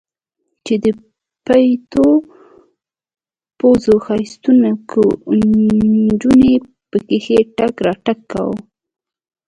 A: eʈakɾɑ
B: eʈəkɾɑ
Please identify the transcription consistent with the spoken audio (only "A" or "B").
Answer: A